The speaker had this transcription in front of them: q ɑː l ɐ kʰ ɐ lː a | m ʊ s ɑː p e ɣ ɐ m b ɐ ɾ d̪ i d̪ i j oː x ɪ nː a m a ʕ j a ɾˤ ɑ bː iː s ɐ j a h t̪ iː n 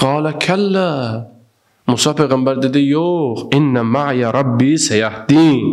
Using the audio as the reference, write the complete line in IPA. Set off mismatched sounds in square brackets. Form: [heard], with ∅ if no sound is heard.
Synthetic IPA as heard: q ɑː l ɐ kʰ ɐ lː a | m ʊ s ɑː p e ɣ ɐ m b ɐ ɾ d̪ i d̪ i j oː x ɪ nː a m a ʕ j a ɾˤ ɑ bː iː s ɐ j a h [d̪] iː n